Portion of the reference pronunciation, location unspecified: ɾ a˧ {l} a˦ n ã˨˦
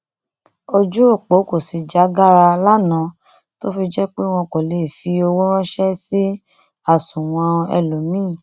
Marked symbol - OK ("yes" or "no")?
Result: yes